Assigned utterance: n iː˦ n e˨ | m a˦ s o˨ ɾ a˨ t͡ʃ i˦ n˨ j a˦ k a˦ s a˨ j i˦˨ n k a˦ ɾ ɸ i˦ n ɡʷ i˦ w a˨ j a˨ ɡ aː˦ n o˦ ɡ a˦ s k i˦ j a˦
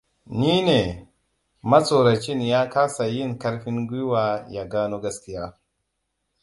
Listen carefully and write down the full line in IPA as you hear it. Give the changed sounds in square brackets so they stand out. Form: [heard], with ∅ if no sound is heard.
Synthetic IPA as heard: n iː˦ n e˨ | m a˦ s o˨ ɾ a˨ t͡ʃ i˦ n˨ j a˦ k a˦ s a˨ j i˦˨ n k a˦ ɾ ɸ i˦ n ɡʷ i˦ w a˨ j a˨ ɡ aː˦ n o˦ ɡ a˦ s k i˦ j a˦